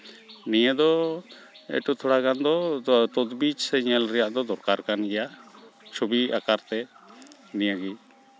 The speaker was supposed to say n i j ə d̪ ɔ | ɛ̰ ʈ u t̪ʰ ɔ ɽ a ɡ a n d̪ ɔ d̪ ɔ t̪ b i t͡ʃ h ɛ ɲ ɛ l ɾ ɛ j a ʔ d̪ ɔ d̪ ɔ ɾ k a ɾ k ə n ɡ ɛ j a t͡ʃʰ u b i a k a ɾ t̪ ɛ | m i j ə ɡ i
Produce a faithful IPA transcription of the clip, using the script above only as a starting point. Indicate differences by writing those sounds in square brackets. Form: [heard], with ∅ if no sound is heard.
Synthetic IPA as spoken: n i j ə d̪ ɔ | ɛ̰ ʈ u t̪ʰ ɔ ɽ a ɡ a n d̪ ɔ [t̪] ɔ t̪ b i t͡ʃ [s] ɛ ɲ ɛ l ɾ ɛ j a ʔ d̪ ɔ d̪ ɔ ɾ k a ɾ k [a] n ɡ ɛ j a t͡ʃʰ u b i a k a ɾ t̪ ɛ | [n] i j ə ɡ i

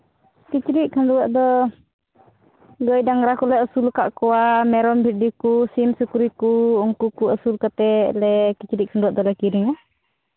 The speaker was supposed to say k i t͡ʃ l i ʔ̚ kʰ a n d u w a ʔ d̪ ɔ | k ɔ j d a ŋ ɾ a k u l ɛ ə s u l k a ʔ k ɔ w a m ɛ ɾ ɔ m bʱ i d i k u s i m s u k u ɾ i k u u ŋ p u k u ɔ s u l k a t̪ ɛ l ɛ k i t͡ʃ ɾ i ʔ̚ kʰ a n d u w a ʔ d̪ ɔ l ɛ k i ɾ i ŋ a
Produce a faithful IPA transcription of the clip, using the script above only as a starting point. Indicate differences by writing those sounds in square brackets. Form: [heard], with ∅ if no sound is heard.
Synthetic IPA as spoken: k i t͡ʃ [ɾ] i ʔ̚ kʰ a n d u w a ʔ d̪ ɔ | [ɡ] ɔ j d a ŋ ɾ a k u l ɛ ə s u l k a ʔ k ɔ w a m ɛ ɾ ɔ m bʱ i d i k u s i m s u k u ɾ i k u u ŋ [k] u k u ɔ s u l k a t̪ ɛ l ɛ k i t͡ʃ ɾ i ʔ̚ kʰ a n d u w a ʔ d̪ ɔ l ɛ k i ɾ i ŋ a

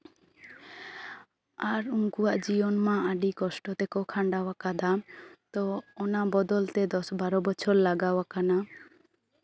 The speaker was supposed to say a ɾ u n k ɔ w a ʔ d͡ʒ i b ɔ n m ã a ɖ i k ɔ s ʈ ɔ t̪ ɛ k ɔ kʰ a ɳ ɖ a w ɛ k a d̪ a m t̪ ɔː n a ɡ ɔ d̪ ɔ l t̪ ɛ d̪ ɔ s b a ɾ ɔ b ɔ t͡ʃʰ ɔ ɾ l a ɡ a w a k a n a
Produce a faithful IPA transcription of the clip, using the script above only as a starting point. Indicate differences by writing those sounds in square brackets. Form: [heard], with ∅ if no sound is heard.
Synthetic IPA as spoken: a ɾ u [ŋ] k [u] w a ʔ d͡ʒ i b ɔ n m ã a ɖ i k ɔ s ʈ ɔ t̪ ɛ k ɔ kʰ a ɳ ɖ a w [a] k a d̪ a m t̪ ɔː n a [b] ɔ d̪ ɔ l t̪ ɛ d̪ ɔ s b a ɾ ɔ b ɔ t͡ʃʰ ɔ ɾ l a ɡ a w a k a n a

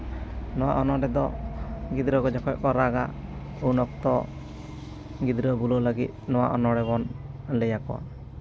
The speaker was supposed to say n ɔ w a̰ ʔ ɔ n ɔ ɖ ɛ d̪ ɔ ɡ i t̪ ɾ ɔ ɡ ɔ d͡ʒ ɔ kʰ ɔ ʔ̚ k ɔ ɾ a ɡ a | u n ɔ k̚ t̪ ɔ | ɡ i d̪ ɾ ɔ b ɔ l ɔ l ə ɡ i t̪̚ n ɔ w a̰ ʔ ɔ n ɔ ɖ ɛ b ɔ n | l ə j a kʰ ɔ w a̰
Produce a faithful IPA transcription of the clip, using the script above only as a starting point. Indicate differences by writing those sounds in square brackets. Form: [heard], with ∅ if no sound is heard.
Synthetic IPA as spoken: n ɔ w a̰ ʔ ɔ n ɔ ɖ ɛ d̪ ɔ ɡ i [d̪] ɾ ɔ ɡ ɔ d͡ʒ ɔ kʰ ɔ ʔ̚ k ɔ ɾ a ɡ a | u n ɔ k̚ t̪ ɔ | ɡ i d̪ ɾ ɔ b [u] l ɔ l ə ɡ i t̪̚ n ɔ w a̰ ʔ ɔ n ɔ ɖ ɛ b ɔ n | l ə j a [k] ɔ w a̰

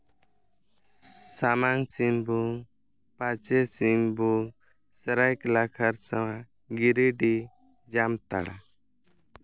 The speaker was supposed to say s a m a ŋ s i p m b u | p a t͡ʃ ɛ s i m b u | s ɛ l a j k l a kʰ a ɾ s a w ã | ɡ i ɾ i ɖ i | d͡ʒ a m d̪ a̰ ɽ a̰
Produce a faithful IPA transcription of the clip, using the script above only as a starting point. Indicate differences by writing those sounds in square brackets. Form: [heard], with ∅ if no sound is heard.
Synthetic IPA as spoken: s a m a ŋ s i [∅] m b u | p a t͡ʃ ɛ s i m b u | s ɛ [ɾ] a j k l a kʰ a ɾ s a w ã | ɡ i ɾ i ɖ i | d͡ʒ a m [t̪] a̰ ɽ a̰

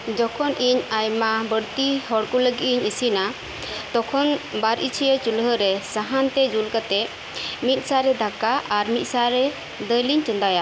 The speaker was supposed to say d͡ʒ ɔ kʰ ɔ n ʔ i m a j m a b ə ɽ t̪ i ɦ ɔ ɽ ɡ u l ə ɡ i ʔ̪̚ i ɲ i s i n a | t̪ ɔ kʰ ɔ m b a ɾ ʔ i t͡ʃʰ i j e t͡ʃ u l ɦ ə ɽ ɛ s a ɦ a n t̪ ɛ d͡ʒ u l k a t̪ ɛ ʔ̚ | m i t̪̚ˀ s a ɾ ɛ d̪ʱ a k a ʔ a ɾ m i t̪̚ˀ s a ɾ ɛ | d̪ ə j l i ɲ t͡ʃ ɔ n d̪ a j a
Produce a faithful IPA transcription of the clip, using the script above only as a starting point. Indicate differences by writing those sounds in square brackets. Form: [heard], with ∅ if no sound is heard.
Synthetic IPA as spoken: d͡ʒ ɔ kʰ ɔ n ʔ i [ɲ] a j m a b ə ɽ t̪ i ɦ ɔ ɽ [k] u l ə ɡ i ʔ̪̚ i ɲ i s i n a | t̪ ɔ kʰ ɔ [n] b a ɾ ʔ i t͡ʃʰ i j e t͡ʃ u l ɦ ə [ɾ] ɛ s a ɦ a n t̪ ɛ d͡ʒ u l k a t̪ ɛ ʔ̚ | m i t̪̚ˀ s a ɾ ɛ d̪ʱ a k a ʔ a ɾ m i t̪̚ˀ s a ɾ ɛ | d̪ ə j l i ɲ t͡ʃ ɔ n d̪ a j a

